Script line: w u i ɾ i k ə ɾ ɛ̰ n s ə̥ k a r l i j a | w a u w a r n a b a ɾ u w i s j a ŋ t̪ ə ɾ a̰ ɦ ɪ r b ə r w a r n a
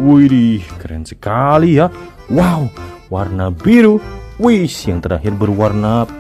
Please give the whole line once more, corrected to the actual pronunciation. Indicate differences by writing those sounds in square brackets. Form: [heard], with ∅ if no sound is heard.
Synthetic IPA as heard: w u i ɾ i k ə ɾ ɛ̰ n s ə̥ k a [∅] l i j a | w a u w a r n a b [i] ɾ u w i s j a ŋ t̪ ə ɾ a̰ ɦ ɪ r b ə r w a r n a